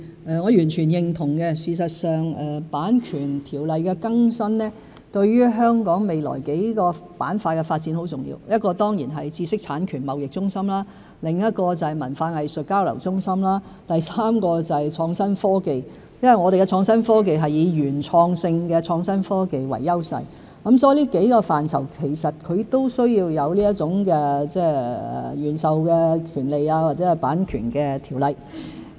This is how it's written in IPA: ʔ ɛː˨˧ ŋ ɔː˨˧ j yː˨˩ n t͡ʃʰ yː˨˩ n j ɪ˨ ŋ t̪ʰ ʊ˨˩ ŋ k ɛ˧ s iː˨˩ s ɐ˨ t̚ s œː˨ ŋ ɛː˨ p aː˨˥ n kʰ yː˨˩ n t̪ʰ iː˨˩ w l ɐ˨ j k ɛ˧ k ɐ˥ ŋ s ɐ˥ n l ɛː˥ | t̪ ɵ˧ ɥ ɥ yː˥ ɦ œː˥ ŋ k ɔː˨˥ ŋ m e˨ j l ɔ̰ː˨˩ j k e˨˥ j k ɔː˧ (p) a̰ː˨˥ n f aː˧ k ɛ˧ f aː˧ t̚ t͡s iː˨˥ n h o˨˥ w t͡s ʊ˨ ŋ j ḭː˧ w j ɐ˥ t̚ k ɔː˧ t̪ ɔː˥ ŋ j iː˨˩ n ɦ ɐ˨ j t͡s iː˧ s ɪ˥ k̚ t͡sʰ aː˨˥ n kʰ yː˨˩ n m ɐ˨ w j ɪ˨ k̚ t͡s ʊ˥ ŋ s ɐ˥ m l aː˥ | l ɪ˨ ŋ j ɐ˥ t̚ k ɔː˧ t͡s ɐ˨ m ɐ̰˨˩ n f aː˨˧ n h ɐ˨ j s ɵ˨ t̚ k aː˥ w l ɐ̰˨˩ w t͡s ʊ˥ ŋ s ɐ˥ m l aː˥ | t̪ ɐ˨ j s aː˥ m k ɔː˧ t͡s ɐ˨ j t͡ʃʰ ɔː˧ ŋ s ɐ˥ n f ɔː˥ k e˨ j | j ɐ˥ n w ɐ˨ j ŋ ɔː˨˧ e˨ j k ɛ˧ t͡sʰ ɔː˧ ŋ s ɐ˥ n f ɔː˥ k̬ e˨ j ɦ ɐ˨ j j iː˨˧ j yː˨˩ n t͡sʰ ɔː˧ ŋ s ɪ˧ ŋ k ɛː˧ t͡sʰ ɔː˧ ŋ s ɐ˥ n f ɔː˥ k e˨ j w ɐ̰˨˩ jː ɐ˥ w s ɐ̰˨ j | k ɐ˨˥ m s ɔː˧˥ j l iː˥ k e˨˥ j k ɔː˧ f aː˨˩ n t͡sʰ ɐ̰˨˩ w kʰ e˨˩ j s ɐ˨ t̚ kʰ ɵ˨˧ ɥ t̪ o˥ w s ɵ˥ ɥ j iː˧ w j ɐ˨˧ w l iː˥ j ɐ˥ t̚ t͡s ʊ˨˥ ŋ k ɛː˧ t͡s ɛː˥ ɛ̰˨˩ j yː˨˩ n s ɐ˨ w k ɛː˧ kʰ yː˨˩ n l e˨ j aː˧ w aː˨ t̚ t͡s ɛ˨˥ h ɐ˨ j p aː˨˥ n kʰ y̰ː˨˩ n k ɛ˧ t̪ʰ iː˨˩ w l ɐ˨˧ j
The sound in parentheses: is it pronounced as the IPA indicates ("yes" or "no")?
yes